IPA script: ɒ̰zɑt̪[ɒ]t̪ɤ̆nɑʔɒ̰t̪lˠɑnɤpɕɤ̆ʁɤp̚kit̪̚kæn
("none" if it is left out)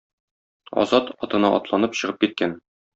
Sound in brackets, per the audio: ɒ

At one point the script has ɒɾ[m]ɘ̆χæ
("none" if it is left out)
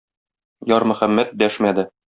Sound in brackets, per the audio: m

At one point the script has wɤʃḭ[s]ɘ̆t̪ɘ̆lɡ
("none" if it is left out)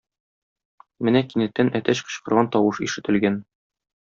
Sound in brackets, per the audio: ʃ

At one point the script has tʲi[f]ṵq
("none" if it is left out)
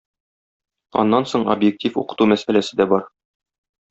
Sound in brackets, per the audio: f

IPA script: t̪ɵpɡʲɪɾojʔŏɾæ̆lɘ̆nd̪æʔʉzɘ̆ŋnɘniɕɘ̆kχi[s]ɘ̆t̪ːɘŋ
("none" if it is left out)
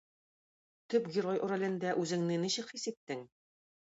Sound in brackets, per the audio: s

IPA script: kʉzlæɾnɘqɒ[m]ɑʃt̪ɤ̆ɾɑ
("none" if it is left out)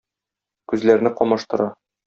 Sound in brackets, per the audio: m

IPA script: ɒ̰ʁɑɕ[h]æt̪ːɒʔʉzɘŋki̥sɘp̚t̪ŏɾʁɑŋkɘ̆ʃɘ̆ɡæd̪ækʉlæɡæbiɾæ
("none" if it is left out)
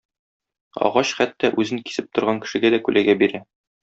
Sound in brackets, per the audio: χ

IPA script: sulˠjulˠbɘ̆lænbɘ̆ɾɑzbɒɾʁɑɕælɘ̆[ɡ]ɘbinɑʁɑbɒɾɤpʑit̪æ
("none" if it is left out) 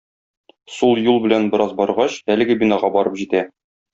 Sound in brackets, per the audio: ɡ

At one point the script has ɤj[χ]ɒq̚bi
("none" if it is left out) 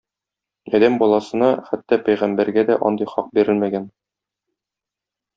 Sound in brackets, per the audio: χ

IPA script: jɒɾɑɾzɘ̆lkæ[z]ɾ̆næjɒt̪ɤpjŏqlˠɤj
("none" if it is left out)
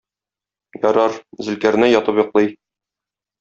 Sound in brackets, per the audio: none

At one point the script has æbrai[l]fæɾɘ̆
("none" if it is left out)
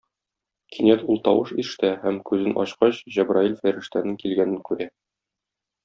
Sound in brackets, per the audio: l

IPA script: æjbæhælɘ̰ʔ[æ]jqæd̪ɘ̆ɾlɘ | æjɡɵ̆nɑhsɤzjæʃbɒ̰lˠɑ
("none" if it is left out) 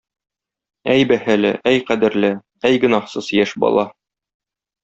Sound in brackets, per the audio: æ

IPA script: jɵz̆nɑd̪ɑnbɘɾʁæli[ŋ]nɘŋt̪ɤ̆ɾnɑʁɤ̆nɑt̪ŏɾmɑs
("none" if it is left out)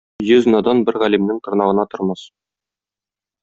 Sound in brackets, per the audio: m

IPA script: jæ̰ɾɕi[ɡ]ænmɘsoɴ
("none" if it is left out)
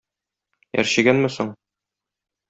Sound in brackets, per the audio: ɡ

